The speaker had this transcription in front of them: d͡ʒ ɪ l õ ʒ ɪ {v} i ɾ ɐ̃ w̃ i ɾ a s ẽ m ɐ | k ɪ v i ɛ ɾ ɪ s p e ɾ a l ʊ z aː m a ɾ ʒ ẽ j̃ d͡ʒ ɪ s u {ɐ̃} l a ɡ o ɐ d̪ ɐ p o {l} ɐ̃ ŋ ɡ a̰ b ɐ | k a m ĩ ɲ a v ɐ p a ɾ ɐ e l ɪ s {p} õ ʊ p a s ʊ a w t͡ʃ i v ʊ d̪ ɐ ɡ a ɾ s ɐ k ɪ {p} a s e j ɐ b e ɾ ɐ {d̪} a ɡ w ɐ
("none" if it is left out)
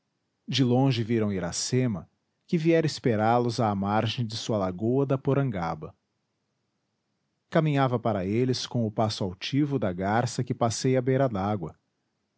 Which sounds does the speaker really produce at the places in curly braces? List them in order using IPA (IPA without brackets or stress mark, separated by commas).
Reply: v, ɐ, ɾ, k, p, d̪